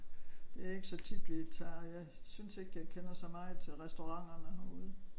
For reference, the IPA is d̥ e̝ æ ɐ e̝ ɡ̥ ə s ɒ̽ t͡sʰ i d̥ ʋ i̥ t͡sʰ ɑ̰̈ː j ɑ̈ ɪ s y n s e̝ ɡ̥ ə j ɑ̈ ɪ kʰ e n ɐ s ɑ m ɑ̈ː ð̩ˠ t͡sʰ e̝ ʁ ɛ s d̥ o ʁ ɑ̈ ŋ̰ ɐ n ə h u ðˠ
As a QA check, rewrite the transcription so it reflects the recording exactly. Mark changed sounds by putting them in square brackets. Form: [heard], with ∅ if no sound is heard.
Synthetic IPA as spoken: d̥ e̝ æ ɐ e̝ ɡ̥ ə s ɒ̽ t͡sʰ i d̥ ʋ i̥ t͡sʰ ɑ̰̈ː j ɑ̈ ɪ s y n s e̝ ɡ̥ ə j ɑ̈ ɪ kʰ e n ɐ s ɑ m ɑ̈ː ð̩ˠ t͡sʰ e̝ ʁ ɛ s d̥ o ʁ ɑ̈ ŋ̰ ɐ n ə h u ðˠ